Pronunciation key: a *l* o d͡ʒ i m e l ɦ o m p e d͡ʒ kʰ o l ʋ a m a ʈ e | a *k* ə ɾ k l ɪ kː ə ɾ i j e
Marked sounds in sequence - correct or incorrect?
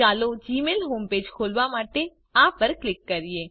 correct, incorrect: p

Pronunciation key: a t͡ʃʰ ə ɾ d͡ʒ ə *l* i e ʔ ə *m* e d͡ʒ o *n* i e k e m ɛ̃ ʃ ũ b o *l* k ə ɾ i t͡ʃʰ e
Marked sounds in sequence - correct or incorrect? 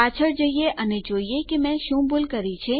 incorrect: none, incorrect: n, incorrect: none, correct

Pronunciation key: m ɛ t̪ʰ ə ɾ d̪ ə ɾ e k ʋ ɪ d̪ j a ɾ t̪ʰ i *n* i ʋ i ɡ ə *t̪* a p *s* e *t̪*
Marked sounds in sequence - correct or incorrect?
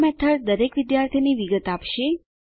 correct, correct, incorrect: ʃ, incorrect: none

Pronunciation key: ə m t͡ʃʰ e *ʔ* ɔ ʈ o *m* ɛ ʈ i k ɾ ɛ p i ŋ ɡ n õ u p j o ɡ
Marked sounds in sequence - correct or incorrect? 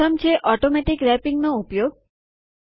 correct, correct

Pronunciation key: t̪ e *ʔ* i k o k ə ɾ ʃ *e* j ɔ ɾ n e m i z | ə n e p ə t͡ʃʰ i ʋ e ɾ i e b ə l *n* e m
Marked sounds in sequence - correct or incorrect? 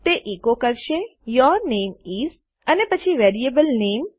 correct, correct, correct

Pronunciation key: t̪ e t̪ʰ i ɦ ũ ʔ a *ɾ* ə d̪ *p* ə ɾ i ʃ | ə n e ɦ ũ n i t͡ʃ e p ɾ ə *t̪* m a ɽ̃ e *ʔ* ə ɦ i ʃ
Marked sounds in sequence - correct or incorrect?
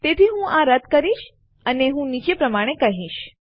correct, incorrect: k, incorrect: none, incorrect: k

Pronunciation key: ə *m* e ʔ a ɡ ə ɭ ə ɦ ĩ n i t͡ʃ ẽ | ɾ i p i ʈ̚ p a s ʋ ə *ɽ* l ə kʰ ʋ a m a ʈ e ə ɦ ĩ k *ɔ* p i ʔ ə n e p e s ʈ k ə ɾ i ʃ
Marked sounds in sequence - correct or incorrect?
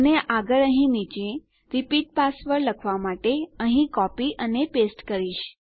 incorrect: n, incorrect: ɾ, correct

